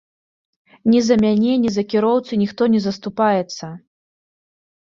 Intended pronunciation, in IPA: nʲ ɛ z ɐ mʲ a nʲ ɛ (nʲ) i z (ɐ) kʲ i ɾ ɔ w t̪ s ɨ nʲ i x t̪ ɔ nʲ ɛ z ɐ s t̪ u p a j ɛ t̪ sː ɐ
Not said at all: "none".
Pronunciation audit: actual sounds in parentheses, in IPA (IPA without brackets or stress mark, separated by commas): nʲ, ɐ